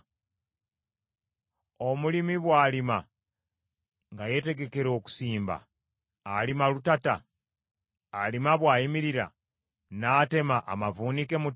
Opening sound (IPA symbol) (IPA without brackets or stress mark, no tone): o̞